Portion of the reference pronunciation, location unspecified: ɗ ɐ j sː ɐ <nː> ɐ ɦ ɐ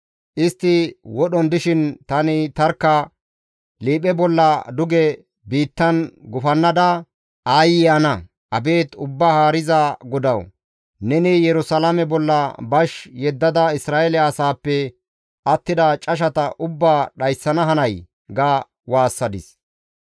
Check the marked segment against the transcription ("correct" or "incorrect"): incorrect